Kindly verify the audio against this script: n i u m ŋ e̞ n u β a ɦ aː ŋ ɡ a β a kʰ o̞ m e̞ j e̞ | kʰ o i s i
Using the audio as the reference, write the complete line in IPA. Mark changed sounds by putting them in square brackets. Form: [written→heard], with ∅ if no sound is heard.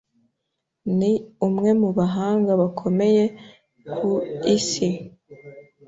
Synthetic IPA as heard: n i u m ŋ e̞ [n→m] u β a ɦ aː ŋ ɡ a β a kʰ o̞ m e̞ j e̞ | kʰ [o→u] i s i